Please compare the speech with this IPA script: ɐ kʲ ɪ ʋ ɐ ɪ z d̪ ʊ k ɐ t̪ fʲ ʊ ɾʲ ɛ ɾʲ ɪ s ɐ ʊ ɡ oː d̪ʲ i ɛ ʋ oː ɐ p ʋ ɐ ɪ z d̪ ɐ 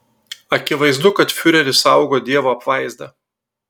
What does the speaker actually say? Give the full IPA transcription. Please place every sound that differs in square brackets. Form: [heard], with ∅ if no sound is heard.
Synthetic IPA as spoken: ɐ kʲ ɪ ʋ ɐ ɪ z d̪ ʊ k ɐ t̪ fʲ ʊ ɾʲ ɛ ɾʲ ɪ s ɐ ʊ ɡ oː d̪ʲ i ɛ ʋ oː ɐ p ʋ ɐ ɪ z d̪ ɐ